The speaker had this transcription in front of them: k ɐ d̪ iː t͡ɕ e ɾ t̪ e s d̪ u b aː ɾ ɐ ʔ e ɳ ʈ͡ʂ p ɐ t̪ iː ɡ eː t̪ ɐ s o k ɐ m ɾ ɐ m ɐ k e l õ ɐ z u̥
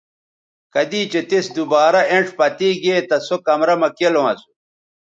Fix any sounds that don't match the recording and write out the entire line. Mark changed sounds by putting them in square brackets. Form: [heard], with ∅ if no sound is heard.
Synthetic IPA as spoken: k ɐ d̪ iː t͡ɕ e [∅] t̪ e s d̪ u b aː ɾ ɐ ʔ e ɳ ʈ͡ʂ p ɐ t̪ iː ɡ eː t̪ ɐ s o k ɐ m ɾ ɐ m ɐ k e l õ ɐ [s] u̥